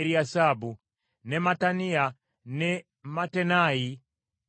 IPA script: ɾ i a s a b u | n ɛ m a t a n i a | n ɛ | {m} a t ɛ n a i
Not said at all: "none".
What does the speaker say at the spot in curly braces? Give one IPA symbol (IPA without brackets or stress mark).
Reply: m